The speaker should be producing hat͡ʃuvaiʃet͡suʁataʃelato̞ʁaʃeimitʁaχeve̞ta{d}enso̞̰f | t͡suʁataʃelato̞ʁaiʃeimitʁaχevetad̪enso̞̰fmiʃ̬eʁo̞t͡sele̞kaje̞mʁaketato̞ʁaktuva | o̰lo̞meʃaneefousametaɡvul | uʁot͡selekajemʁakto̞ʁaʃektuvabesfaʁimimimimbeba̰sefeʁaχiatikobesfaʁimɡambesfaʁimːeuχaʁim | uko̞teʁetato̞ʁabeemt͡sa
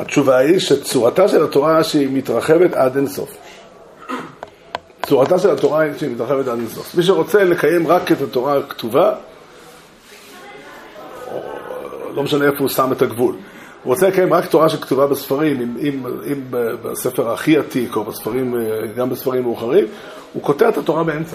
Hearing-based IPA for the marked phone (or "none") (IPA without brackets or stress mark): d